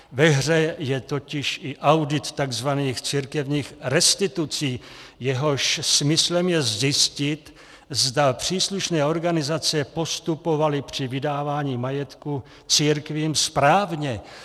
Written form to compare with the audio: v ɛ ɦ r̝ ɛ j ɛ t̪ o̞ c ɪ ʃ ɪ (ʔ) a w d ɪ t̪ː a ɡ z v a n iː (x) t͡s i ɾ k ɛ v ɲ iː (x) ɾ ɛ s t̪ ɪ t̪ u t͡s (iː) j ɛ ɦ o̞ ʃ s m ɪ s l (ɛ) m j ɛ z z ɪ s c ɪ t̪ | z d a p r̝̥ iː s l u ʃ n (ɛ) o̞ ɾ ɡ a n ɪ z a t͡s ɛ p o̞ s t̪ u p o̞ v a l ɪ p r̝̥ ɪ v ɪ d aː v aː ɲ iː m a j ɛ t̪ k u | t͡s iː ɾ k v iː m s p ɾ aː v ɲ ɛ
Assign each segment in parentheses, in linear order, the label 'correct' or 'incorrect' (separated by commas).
correct, correct, correct, correct, correct, incorrect